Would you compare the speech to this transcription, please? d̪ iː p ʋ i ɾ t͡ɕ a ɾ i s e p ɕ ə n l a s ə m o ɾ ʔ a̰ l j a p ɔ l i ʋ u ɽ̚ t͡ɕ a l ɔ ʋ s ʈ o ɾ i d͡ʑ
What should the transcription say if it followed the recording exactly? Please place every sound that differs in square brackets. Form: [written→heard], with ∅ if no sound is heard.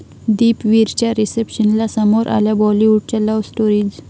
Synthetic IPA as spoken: d̪ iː p ʋ i ɾ t͡ɕ a ɾ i s e p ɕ ə n l a s ə m o ɾ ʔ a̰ l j a [p→b] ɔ l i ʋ u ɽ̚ t͡ɕ a l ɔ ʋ s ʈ o ɾ i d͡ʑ